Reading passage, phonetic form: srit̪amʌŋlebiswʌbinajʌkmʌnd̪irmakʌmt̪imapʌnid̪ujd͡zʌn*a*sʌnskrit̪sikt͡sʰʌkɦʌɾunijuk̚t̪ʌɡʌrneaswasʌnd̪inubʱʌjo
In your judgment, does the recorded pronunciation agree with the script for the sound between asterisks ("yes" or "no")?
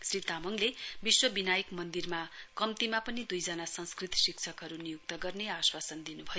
yes